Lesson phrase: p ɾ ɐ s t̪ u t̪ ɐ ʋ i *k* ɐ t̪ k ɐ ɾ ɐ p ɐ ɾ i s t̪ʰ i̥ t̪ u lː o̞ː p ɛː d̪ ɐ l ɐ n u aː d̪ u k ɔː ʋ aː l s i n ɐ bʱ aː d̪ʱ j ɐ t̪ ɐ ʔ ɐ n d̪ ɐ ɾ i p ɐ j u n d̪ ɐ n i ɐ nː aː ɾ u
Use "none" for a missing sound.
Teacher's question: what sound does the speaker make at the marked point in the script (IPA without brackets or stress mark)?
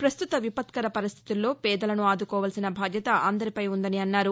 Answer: p